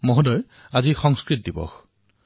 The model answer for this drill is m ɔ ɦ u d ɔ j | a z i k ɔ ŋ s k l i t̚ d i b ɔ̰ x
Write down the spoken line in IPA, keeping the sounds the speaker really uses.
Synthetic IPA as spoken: m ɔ ɦ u d ɔ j | a z i x ɔ ŋ s k ɹ i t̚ d i b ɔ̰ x